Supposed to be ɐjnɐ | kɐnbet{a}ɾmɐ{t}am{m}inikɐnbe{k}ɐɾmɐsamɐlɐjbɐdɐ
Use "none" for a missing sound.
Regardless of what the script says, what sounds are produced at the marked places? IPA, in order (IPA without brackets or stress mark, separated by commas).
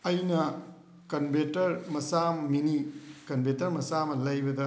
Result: ɐ, s, m, t